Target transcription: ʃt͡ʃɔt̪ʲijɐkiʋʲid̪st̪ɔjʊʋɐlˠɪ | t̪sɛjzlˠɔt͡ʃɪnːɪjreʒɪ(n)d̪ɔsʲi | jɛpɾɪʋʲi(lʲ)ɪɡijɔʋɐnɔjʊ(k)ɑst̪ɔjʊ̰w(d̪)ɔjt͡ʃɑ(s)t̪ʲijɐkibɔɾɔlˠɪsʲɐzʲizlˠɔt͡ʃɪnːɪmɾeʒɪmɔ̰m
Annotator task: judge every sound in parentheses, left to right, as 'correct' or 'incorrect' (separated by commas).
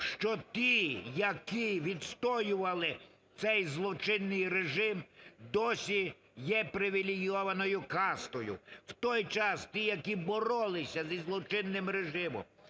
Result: incorrect, correct, correct, incorrect, correct